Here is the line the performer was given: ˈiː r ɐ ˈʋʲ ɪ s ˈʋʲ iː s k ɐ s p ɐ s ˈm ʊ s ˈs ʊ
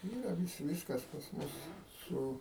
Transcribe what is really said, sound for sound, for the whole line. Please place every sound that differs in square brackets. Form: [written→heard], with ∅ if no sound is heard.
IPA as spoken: ˈiː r ɐ ˈʋʲ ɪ s ˈʋʲ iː s k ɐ s p ɐ s ˈm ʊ s ˈs ʊ